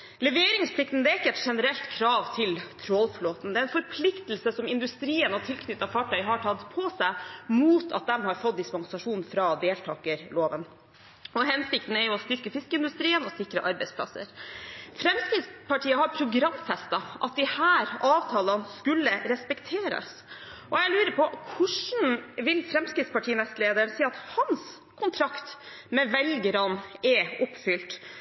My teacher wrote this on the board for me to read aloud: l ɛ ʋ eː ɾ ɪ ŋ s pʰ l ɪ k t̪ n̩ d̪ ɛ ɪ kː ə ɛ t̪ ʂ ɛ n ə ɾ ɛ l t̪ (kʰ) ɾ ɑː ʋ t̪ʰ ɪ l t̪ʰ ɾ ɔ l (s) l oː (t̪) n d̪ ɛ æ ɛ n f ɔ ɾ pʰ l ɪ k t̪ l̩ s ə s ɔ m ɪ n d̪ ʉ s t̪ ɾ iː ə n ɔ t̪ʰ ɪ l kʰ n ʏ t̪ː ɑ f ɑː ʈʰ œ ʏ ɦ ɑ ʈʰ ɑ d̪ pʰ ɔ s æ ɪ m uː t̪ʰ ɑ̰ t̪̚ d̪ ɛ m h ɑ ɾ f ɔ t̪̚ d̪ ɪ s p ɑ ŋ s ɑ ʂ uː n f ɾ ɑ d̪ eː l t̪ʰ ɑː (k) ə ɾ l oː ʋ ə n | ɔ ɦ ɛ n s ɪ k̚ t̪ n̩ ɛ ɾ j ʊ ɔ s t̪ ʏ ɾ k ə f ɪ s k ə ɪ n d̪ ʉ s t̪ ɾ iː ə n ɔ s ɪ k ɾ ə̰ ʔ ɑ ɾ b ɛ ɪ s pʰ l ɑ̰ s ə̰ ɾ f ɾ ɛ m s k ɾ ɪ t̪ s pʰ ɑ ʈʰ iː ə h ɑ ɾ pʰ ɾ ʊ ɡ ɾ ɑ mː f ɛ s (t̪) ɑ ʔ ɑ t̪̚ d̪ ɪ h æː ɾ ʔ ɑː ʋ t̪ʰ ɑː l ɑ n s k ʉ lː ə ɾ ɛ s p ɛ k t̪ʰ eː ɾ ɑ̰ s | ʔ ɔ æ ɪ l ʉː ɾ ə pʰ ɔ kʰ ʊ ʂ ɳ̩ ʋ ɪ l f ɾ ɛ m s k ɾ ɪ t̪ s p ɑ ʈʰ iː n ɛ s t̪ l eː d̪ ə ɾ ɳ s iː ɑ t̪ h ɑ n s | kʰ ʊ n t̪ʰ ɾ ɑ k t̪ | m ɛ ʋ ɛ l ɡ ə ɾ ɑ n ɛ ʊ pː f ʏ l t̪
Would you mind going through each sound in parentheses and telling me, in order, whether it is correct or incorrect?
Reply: correct, incorrect: f, correct, correct, correct

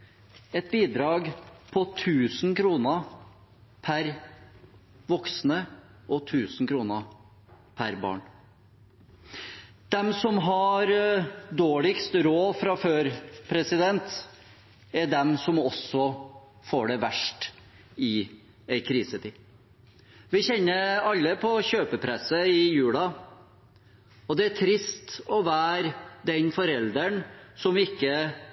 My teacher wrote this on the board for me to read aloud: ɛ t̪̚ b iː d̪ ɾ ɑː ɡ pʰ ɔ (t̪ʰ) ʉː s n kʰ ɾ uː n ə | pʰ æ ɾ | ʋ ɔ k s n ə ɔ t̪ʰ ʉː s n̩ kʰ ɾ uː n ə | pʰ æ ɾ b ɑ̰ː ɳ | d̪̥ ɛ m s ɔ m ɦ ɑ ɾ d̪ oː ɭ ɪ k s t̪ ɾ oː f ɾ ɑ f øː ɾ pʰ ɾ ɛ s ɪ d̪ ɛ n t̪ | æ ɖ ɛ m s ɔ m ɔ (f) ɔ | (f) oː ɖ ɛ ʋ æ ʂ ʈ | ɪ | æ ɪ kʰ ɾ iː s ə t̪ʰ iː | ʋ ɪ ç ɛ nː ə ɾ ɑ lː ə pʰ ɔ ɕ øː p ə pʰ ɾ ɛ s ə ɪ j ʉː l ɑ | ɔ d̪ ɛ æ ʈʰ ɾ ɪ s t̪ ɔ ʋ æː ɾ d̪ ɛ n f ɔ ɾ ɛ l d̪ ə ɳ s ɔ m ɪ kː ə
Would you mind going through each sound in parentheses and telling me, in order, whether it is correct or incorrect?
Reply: correct, incorrect: s, correct

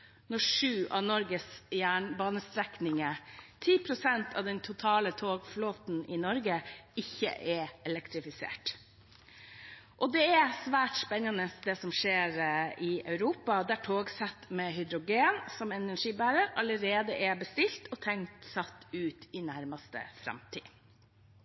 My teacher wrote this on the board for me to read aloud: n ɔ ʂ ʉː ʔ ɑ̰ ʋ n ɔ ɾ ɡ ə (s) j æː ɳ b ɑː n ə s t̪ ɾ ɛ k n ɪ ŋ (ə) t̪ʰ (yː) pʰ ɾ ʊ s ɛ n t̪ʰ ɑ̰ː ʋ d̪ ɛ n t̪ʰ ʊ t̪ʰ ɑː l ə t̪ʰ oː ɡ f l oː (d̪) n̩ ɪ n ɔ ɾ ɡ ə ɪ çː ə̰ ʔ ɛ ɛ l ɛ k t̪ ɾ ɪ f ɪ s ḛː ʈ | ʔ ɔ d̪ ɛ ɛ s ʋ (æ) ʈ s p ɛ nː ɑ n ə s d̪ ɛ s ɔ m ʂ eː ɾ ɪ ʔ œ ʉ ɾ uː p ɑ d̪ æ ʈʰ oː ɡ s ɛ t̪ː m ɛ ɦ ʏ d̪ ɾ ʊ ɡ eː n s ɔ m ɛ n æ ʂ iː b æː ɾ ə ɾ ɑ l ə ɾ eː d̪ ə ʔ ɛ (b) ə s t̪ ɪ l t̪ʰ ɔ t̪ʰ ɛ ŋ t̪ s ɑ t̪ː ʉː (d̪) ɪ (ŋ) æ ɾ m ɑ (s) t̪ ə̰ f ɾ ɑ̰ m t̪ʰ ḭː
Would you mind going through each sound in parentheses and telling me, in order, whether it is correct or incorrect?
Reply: correct, correct, incorrect: iː, incorrect: t̪, incorrect: æː, correct, incorrect: t̪, incorrect: n, correct

